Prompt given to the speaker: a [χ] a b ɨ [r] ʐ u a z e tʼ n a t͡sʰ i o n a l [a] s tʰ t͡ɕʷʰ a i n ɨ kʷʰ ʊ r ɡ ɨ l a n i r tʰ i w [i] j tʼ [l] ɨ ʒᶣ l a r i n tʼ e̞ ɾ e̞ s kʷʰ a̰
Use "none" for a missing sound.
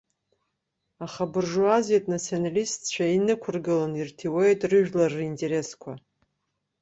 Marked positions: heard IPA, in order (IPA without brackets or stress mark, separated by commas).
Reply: χ, r, i, e, r